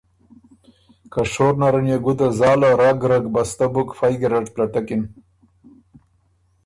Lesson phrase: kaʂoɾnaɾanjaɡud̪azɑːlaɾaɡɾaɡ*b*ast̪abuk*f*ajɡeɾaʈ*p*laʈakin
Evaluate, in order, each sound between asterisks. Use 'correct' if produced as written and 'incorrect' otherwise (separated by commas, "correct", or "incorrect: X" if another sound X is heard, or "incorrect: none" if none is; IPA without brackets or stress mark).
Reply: correct, correct, correct